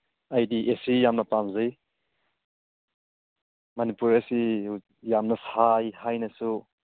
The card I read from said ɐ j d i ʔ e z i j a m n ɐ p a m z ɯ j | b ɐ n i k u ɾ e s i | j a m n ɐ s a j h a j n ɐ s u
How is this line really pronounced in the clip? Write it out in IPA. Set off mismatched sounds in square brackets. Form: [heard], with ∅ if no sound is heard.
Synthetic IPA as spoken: [a] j d i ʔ e [s] i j a m n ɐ p a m z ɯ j | [m] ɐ n i [p] u ɾ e s i | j a m n ɐ s a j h a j n ɐ s u

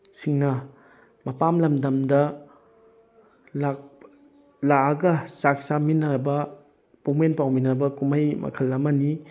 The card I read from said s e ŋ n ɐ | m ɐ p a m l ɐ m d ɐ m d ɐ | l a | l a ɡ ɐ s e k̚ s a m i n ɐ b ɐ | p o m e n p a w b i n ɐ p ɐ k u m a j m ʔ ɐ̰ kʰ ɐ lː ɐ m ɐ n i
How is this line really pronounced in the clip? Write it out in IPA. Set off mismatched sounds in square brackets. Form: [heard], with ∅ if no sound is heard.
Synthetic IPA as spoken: s [i] ŋ n ɐ | m ɐ p a m l ɐ m d ɐ m d ɐ | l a | l a ɡ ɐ s [a] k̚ s a m i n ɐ b ɐ | p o m e n p a w [m] i n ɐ [b] ɐ k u m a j m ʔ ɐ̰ kʰ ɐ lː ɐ m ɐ n i

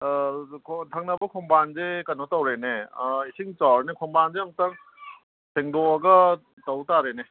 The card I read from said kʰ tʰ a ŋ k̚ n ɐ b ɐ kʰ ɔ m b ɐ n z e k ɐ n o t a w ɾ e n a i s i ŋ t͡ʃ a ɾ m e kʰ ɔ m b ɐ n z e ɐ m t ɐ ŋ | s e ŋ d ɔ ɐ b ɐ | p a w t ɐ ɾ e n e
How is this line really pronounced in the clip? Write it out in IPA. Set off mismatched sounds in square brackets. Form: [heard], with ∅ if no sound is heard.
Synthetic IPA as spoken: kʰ tʰ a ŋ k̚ n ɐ b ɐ kʰ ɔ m b [a] n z e k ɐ n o t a w ɾ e n [e] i s i ŋ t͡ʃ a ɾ [n] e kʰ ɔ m b [a] n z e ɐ m t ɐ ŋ | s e ŋ d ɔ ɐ [ɡ] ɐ | [t] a w t [a] ɾ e n e

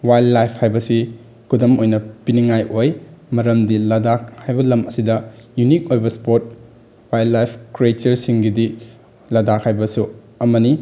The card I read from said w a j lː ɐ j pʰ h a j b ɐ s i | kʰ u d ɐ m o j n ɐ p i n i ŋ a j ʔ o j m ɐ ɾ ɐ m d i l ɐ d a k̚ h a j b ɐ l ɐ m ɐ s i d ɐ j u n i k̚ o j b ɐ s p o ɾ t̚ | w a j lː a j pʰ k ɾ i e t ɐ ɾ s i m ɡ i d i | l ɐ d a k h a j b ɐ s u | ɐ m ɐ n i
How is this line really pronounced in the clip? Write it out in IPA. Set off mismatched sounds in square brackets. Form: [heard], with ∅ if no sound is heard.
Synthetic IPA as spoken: w a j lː [a] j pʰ h a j b ɐ s i | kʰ u d ɐ m o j n ɐ p i n i ŋ a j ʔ o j m ɐ ɾ ɐ m d i l ɐ d a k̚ h a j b ɐ l ɐ m ɐ s i d ɐ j u n i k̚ o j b ɐ s p o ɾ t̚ | w a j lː a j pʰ k ɾ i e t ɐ ɾ s i [ŋ] ɡ i d i | l ɐ d a k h a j b ɐ s u | ɐ m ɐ n i

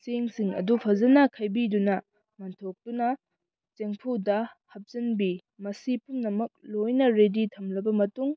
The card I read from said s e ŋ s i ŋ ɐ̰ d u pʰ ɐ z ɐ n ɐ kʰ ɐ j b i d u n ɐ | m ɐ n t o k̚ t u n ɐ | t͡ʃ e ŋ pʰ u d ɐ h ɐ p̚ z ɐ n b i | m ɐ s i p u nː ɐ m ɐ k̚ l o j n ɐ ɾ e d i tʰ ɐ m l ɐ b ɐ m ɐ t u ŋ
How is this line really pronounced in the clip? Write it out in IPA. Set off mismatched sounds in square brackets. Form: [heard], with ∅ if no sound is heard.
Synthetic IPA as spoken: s e ŋ s i ŋ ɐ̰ d u pʰ ɐ z ɐ n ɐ kʰ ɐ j b i d u n ɐ | m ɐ n [tʰ] o k̚ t u n ɐ | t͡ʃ e ŋ pʰ u d ɐ h ɐ p̚ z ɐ n b i | m ɐ s i p u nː ɐ m ɐ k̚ l o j n ɐ ɾ e d i tʰ ɐ m l ɐ b ɐ m ɐ t u ŋ

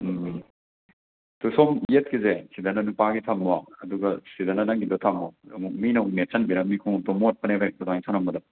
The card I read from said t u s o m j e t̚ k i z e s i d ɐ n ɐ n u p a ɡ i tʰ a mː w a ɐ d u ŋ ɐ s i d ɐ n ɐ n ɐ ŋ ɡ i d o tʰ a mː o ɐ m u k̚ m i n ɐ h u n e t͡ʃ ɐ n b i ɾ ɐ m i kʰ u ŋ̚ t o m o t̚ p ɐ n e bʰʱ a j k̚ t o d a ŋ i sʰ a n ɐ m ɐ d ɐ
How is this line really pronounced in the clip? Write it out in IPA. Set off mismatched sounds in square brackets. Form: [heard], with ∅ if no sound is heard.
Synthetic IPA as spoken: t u s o m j e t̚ k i z e s i d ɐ n ɐ n u p a ɡ i tʰ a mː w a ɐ d u [ɡ] ɐ s i d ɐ n ɐ n ɐ ŋ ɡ i d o tʰ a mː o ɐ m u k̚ m i n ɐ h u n e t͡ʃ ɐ n b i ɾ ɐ m i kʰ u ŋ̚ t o m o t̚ p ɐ n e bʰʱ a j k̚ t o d a ŋ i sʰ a n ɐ m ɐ d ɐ

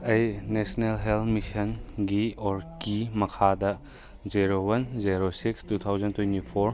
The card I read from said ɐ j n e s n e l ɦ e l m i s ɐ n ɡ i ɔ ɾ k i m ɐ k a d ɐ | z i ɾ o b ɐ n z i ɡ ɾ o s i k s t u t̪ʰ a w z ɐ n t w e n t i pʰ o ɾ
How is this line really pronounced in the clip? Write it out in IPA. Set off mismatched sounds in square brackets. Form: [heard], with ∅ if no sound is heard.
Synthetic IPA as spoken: ɐ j n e s n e l ɦ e l m i s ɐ n ɡ i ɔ ɾ k i m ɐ [kʰ] a d ɐ | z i ɾ o [w] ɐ n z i [∅] ɾ o s i k s t u t̪ʰ a w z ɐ n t w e n t i pʰ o ɾ

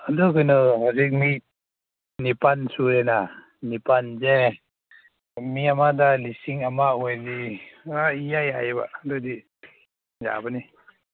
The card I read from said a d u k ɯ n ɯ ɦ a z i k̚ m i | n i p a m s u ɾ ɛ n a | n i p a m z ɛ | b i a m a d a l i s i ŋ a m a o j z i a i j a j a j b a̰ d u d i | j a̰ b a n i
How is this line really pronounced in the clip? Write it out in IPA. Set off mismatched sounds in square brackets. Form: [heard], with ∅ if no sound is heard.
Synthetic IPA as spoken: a d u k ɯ n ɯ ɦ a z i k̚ m i | n i p a [n] s u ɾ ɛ n a | n i p a [n] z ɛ | [m] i a m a d a l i s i ŋ a m a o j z i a i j a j a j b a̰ d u d i | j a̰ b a n i

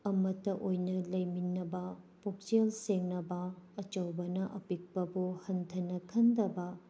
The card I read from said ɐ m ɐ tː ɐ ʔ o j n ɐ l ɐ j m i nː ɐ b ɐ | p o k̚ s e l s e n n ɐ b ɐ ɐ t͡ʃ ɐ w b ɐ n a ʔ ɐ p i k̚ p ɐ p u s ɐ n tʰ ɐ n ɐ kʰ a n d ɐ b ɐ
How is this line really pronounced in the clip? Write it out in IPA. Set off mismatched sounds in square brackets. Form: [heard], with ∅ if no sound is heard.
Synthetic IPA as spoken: ɐ m ɐ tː ɐ ʔ o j n ɐ l ɐ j m i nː ɐ b ɐ | p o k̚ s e l s e [ŋ] n ɐ b ɐ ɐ t͡ʃ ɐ w b ɐ n [ɐ] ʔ ɐ p i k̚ p ɐ [b] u [h] ɐ n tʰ ɐ n ɐ kʰ [ɐ] n d ɐ b ɐ

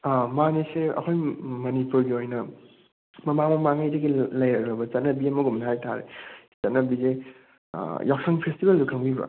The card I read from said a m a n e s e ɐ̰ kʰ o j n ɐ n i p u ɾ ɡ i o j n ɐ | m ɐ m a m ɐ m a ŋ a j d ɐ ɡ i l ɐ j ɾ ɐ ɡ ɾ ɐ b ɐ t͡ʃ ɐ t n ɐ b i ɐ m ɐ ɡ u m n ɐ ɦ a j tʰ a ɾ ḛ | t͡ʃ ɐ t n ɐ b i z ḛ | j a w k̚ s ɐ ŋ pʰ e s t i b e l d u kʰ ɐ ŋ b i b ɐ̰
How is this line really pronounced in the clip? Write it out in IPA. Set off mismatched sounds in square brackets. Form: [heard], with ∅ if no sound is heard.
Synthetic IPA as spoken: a m a n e s e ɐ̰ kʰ o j [m] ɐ n i p u ɾ ɡ i o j n ɐ | m ɐ m a m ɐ m a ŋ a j d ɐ ɡ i l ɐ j ɾ ɐ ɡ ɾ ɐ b ɐ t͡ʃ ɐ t n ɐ b i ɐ m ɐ ɡ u m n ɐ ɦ a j tʰ a ɾ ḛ | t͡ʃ ɐ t n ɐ b i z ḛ | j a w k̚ s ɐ ŋ pʰ e s t i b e l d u kʰ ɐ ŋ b i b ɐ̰

